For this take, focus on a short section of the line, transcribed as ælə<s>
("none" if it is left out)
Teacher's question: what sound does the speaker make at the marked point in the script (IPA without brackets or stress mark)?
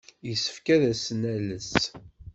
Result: s